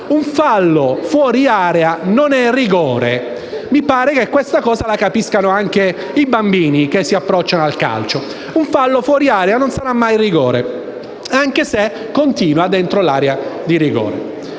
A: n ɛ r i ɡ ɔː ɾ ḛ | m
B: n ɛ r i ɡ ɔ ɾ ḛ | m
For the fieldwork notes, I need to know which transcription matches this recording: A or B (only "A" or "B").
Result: A